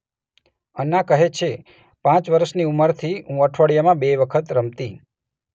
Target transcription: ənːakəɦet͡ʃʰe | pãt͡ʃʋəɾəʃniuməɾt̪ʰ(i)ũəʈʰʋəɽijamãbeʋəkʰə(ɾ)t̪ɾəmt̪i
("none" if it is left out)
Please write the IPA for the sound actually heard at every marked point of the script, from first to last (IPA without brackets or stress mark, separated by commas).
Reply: i, none